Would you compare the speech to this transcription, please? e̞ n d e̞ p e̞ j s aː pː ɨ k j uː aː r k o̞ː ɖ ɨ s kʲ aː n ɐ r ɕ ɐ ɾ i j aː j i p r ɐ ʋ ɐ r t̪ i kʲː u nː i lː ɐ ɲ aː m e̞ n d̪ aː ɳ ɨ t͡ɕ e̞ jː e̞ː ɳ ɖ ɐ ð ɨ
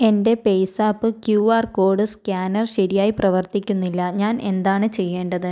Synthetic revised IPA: e̞ n d e̞ p e̞ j s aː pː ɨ k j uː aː r k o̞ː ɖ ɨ s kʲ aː n ɐ r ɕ ɐ ɾ i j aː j i p r ɐ ʋ ɐ r t̪ i kʲː u nː i lː ɐ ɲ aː n e̞ n d̪ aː ɳ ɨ t͡ɕ e̞ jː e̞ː ɳ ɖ ɐ ð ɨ